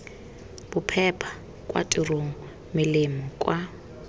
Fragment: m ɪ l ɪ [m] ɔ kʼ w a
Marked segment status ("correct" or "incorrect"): correct